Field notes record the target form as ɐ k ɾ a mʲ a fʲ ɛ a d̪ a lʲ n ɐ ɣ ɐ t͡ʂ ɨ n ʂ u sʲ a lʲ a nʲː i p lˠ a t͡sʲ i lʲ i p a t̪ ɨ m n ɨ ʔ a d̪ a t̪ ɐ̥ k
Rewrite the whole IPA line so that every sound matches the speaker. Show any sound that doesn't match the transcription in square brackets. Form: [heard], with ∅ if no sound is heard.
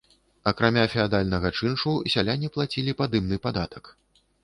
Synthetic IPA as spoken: ɐ k ɾ a mʲ a fʲ ɛ a d̪ a lʲ n ɐ ɣ ɐ t͡ʂ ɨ n ʂ u sʲ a lʲ a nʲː i p lˠ a t͡sʲ i lʲ i p a [d̪] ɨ m n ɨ [p] a d̪ a t̪ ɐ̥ k